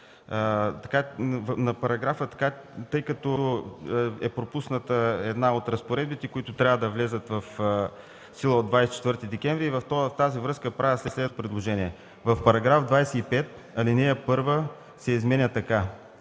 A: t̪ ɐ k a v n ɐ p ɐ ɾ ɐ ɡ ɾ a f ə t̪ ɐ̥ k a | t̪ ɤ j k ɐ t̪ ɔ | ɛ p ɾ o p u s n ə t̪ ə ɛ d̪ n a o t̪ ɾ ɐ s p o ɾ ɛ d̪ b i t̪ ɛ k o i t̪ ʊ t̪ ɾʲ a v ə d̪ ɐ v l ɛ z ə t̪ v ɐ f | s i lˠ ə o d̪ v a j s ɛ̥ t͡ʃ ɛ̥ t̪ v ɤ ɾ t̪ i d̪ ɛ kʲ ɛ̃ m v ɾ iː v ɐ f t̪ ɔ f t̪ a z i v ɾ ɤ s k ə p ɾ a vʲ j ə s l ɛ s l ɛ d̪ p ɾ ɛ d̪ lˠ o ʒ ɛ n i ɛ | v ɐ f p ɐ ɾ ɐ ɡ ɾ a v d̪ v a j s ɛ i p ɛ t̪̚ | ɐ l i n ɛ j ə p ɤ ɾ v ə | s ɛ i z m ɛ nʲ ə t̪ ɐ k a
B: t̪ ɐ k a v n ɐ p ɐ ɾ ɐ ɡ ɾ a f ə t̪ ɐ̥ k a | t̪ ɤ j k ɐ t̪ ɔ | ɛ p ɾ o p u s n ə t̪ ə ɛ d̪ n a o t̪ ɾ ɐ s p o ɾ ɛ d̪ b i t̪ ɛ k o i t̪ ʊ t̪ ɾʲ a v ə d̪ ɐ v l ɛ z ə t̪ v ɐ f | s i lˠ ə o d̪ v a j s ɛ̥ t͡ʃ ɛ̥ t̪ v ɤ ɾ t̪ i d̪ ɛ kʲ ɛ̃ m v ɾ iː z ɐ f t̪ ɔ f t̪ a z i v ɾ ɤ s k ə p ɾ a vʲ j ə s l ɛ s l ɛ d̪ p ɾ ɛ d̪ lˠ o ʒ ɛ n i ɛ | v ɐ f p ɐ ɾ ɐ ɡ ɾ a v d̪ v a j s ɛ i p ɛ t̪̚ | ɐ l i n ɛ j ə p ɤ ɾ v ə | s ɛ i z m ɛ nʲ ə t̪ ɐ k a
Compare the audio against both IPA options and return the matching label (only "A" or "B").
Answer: A